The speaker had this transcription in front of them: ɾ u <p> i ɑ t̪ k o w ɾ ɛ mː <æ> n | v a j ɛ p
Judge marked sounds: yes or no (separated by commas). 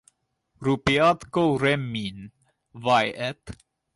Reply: yes, no